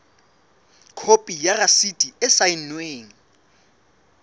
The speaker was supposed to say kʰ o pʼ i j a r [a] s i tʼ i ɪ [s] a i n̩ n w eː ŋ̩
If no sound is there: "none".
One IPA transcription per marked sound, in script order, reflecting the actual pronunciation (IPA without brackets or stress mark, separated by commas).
a, s